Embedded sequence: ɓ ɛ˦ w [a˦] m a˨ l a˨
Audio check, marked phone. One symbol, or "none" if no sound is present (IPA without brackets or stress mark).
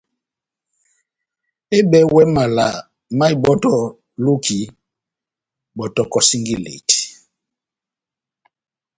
ɛ˦